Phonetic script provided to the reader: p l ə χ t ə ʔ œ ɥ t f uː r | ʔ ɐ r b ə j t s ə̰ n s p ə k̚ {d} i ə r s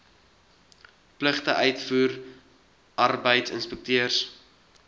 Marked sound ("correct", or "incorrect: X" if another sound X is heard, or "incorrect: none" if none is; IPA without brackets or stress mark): incorrect: t